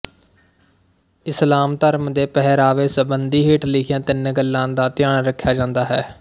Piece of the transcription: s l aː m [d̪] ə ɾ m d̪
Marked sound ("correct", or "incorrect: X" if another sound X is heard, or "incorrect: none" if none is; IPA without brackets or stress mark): incorrect: t̪